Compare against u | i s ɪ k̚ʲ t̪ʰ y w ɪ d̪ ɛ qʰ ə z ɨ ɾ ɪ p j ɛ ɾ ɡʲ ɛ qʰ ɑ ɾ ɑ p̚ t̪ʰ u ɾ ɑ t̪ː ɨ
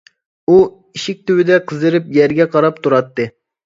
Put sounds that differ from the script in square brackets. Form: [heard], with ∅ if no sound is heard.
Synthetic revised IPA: u | i [ʃ] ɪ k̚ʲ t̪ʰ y w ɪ d̪ ɛ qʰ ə z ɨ ɾ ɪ p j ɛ ɾ ɡʲ ɛ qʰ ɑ ɾ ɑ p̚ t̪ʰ u ɾ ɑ t̪ː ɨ